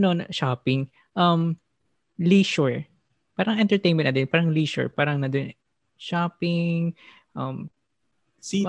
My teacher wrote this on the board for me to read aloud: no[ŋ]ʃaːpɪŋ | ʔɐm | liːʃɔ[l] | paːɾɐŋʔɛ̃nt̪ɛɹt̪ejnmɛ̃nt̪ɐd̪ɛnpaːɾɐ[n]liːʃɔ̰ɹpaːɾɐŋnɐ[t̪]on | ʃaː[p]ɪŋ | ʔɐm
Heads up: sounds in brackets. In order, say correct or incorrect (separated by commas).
incorrect, incorrect, incorrect, incorrect, correct